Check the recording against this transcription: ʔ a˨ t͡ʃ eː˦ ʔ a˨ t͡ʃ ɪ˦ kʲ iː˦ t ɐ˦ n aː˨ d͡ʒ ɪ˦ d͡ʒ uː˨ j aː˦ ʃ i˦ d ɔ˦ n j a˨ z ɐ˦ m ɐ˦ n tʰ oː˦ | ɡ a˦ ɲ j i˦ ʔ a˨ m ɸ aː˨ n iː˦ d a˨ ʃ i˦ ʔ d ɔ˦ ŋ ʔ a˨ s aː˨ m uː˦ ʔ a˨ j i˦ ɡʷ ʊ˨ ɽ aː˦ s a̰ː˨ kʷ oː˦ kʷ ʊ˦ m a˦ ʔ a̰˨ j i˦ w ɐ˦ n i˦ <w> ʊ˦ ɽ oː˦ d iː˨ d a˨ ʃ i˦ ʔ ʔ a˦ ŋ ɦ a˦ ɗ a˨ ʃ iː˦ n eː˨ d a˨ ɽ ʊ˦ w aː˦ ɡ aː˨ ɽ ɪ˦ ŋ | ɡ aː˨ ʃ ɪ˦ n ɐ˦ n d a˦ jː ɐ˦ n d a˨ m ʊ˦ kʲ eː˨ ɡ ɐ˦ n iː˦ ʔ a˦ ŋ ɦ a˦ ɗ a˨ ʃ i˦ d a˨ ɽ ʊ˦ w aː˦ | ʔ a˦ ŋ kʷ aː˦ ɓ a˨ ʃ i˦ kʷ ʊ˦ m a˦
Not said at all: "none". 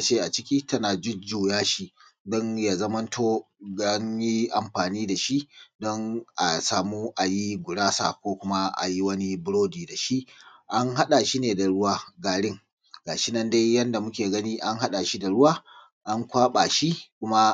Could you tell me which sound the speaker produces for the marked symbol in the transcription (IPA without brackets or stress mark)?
b